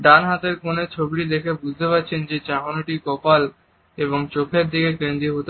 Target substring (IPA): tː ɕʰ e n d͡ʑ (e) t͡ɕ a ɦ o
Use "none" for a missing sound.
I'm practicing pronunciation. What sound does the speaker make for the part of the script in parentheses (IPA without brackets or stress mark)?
e